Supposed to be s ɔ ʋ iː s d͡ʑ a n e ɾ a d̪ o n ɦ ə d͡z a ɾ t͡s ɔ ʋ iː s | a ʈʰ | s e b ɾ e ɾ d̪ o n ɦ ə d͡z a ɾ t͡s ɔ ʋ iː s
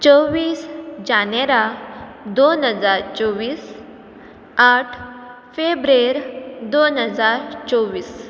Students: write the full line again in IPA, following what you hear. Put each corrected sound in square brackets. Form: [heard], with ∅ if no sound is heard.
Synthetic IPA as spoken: [t͡s] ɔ ʋ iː s d͡ʑ a n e ɾ a d̪ o n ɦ ə d͡z a ɾ t͡s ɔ ʋ iː s | a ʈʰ | [f] e b ɾ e ɾ d̪ o n ɦ ə d͡z a ɾ t͡s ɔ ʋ iː s